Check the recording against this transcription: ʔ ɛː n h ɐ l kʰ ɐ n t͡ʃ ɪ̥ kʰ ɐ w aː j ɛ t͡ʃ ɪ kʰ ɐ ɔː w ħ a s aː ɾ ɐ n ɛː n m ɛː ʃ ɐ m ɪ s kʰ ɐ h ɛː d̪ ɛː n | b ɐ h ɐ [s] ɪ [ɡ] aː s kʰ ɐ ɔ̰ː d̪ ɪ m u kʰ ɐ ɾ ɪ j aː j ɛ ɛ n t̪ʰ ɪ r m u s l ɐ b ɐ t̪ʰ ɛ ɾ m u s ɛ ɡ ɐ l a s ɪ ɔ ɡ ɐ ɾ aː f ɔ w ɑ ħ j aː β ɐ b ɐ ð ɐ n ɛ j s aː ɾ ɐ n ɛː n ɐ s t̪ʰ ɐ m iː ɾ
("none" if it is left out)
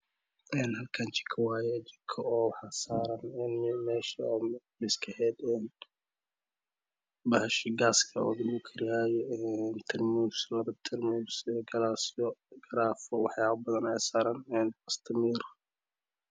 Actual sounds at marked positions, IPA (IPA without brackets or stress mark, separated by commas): ʃ, ɡ